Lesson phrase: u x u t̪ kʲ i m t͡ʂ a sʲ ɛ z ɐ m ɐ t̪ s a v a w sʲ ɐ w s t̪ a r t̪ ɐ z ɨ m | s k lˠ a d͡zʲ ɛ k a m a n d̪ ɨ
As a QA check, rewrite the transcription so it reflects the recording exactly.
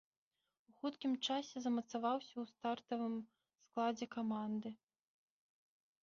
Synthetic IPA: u x u t̪ kʲ i m t͡ʂ a sʲ ɛ z ɐ m ɐ t̪ s a v a w sʲ ɐ w s t̪ a r t̪ ɐ v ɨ m | s k lˠ a d͡zʲ ɛ k a m a n d̪ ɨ